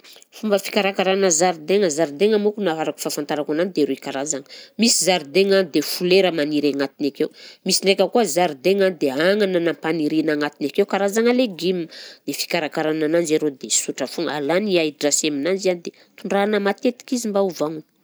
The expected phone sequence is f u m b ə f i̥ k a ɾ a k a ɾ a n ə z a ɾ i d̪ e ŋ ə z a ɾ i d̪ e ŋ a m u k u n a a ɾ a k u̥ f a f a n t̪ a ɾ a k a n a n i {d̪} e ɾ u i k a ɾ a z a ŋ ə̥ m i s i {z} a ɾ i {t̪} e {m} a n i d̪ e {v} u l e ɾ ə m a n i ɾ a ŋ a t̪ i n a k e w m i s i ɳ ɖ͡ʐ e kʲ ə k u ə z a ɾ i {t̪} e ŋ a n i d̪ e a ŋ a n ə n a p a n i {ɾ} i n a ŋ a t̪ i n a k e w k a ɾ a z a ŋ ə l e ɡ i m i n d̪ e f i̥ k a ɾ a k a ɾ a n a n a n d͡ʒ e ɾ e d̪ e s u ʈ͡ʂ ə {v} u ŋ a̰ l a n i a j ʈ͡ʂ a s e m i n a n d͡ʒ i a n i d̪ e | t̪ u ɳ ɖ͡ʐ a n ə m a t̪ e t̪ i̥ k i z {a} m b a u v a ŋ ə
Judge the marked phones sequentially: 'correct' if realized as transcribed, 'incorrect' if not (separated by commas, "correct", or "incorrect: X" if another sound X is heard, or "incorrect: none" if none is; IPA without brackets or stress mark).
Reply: correct, correct, incorrect: d̪, incorrect: ŋ, incorrect: f, incorrect: d̪, correct, incorrect: f, incorrect: i